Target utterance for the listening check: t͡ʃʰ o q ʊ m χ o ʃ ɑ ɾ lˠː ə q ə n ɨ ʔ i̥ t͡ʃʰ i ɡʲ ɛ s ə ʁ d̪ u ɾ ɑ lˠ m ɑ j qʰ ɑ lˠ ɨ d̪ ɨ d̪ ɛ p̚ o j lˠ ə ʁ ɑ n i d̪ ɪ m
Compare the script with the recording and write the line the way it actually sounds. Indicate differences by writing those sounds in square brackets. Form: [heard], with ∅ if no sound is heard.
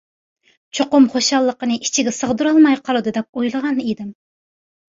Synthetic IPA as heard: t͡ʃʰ o q ʊ m χ o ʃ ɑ [∅] lˠː ə q ə n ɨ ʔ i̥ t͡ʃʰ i ɡʲ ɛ s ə ʁ d̪ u ɾ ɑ lˠ m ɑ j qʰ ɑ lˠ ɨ d̪ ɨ d̪ ɛ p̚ o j lˠ ə ʁ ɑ n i d̪ ɪ m